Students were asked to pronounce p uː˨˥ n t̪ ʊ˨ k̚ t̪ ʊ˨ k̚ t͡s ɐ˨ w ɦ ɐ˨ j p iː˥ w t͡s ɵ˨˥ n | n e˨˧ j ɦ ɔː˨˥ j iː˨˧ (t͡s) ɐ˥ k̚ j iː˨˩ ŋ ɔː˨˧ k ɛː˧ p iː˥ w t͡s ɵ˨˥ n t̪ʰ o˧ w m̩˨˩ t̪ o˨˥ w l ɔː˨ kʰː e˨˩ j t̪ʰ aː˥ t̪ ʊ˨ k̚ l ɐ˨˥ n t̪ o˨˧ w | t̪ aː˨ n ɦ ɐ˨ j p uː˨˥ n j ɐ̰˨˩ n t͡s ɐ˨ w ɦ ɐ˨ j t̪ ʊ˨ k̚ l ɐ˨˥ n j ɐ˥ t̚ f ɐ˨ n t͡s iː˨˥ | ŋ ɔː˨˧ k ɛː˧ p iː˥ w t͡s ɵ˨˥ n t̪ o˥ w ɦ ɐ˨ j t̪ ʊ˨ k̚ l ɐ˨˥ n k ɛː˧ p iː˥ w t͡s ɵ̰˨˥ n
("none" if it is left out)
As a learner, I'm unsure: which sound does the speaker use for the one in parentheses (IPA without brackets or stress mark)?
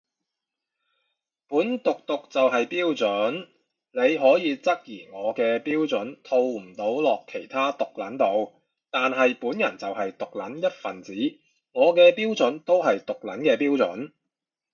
t͡s